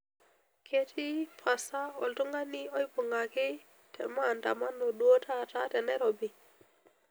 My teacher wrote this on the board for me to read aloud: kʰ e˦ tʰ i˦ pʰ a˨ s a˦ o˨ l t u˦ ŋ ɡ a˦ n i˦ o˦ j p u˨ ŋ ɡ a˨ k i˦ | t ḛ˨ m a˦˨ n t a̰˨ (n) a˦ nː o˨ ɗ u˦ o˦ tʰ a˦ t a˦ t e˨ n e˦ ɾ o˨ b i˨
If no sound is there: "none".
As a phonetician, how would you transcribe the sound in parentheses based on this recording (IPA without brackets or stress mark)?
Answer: m